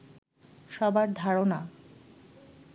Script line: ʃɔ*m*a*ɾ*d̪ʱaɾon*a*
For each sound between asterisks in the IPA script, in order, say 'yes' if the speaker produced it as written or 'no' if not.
no, yes, yes

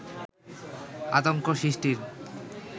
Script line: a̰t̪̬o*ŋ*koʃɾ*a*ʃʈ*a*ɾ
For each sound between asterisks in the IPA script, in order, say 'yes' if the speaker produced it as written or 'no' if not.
yes, no, no

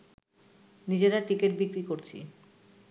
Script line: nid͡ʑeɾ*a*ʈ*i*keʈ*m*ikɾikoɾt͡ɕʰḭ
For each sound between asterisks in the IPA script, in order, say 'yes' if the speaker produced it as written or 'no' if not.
yes, yes, no

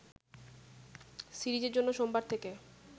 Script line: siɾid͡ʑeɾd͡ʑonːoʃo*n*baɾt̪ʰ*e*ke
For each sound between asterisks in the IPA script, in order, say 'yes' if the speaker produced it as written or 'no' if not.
no, yes

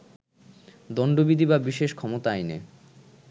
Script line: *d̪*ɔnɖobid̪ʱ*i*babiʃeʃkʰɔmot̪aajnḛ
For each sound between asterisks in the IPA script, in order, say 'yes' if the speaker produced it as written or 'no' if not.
yes, yes

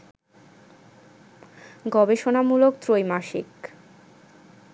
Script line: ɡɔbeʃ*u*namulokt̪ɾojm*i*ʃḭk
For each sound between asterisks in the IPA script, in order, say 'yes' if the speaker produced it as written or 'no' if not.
no, no

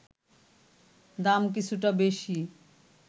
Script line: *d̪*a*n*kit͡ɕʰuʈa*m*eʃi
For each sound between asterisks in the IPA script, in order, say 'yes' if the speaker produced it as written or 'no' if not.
yes, no, no

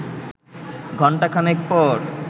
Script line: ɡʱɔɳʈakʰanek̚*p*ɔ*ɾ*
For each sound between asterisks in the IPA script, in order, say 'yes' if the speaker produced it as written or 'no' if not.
yes, yes

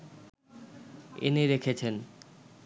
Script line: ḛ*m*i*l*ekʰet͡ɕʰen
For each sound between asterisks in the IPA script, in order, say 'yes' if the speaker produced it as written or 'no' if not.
no, no

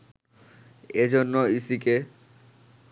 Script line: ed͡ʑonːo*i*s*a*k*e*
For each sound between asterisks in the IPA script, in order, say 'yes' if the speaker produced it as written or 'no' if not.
yes, no, yes

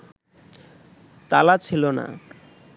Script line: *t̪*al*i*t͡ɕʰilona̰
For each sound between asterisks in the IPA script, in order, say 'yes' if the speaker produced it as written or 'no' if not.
yes, no

